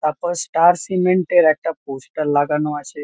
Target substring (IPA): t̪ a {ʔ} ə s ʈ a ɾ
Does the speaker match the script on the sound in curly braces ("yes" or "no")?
no